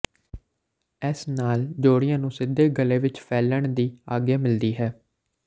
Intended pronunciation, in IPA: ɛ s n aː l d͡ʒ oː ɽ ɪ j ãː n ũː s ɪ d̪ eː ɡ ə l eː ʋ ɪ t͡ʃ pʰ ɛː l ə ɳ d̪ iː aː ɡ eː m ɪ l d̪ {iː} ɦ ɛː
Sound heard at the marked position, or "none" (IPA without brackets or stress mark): iː